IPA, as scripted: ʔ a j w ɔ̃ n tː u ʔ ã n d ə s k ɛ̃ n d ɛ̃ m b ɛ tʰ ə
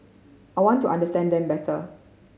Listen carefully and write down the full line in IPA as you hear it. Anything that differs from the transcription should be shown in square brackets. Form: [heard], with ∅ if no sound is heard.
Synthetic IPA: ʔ a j w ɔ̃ n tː u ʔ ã n d ə s [t] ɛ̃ n d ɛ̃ m b ɛ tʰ ə